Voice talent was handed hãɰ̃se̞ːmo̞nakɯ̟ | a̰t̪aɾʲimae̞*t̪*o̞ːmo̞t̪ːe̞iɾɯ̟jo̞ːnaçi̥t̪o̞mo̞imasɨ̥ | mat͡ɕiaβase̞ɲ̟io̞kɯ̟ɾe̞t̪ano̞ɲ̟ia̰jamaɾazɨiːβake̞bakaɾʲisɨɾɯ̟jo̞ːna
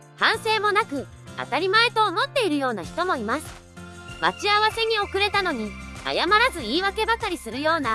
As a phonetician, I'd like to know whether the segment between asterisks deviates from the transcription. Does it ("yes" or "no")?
no